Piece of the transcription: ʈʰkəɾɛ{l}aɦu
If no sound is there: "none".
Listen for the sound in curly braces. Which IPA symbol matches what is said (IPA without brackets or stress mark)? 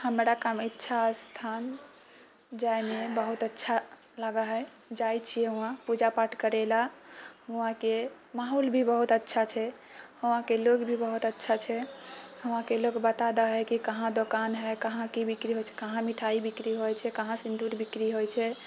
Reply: l